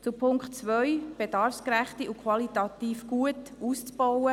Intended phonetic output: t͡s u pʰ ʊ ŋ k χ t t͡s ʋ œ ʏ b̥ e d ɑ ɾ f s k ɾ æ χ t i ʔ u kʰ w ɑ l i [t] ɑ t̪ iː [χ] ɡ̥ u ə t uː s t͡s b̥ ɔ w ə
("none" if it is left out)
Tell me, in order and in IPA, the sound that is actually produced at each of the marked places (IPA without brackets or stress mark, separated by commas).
t, f